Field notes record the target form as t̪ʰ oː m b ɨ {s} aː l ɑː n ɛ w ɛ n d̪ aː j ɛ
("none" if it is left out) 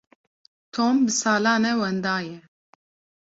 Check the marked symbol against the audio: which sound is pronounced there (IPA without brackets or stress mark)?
s